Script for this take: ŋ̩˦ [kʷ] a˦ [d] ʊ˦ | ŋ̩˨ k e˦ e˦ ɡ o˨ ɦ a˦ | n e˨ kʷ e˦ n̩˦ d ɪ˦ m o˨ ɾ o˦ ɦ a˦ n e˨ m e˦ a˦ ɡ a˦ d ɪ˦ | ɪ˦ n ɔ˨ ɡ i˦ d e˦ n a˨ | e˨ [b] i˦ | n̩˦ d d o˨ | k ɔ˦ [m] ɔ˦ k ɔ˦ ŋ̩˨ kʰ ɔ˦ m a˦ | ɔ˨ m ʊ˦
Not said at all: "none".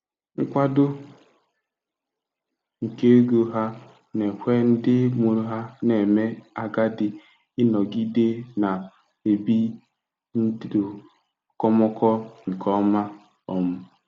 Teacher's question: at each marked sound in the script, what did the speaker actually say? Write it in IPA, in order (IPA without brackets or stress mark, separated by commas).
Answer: kʷ, d, b, m